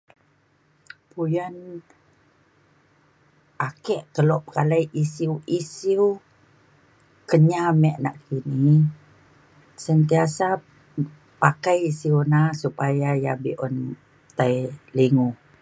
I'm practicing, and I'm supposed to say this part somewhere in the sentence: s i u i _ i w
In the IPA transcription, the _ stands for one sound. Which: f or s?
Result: s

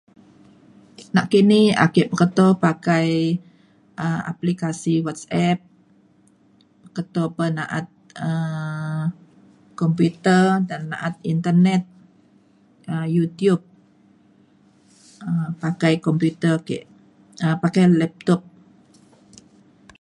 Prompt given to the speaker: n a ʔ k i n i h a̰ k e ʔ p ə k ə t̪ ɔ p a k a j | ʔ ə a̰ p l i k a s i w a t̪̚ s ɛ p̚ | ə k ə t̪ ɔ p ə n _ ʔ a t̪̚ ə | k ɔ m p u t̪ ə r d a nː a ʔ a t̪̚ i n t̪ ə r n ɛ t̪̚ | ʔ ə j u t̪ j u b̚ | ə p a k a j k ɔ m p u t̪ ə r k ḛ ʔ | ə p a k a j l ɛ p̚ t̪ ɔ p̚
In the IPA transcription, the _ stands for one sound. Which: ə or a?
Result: a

